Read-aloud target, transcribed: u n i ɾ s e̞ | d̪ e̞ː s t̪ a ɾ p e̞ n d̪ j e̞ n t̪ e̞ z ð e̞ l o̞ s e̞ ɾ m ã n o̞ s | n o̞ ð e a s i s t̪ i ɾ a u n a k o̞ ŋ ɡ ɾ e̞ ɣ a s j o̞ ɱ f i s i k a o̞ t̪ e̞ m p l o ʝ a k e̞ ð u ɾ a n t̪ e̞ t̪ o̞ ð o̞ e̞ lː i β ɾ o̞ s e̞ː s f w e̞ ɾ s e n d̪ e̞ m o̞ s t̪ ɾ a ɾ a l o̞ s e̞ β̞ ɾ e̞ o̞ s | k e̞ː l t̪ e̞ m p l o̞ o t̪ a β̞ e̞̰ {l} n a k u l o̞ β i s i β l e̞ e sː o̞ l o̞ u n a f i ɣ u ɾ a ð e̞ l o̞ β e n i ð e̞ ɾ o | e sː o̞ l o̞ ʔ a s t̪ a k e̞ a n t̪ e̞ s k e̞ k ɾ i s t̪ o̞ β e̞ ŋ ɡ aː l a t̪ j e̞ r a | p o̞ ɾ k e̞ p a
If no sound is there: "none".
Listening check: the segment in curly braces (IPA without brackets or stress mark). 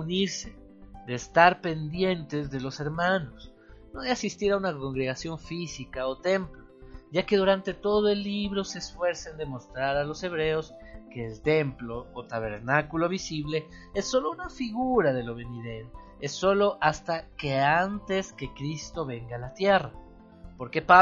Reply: ɾ